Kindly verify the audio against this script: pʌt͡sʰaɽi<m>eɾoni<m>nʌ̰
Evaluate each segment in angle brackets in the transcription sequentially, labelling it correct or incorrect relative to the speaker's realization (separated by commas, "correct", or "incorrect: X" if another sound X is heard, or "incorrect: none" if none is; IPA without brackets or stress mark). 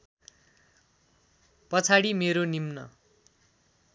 correct, correct